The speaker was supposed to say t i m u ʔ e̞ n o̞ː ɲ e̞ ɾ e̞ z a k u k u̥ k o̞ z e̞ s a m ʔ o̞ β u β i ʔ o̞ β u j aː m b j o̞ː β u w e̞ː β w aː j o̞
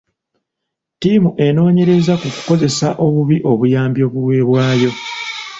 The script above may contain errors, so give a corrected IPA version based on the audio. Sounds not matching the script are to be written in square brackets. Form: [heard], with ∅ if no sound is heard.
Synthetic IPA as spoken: t i m u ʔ e̞ n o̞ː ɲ e̞ ɾ e̞ z a k u k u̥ k o̞ z e̞ s a [∅] ʔ o̞ β u β i ʔ o̞ β u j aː m b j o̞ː β u w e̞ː β w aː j o̞